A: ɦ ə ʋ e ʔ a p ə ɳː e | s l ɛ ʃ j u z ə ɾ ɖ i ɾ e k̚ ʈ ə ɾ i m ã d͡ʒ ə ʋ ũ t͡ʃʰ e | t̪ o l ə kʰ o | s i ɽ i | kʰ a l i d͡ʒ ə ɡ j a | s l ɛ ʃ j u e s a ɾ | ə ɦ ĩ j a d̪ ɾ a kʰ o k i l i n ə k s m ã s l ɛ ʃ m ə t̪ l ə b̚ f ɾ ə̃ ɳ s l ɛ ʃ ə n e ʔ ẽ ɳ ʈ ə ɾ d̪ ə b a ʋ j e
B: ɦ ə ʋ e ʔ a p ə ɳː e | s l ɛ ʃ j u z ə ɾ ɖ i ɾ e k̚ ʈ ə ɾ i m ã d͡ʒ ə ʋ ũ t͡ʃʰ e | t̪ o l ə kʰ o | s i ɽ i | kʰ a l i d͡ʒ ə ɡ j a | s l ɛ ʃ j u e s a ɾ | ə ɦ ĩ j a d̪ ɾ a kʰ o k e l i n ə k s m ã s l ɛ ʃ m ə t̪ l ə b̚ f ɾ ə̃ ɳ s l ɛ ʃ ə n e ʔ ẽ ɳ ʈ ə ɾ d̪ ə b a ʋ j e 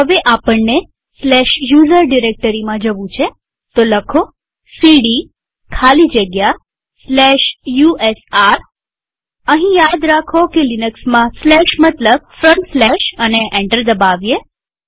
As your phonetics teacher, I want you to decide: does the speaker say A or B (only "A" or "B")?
B